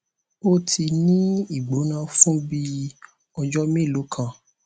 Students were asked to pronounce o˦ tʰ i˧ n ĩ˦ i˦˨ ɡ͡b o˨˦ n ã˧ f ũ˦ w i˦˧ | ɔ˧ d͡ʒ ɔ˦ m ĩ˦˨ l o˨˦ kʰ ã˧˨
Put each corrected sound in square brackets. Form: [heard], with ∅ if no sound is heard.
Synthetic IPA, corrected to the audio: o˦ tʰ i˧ n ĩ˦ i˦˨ ɡ͡b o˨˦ n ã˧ f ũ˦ [b] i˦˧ | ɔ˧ d͡ʒ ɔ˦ m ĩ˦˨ l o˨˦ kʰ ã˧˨